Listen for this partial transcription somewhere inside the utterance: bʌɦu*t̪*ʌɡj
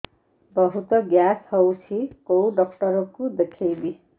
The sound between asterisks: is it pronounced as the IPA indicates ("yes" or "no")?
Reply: yes